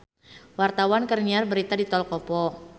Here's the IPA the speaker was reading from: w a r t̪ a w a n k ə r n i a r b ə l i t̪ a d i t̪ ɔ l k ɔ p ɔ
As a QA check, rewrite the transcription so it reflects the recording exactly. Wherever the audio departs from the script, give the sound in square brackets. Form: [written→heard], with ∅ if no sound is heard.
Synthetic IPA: w a r t̪ a w a n k ə r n i a r b ə [l→ɾ] i t̪ a d i t̪ ɔ l k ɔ p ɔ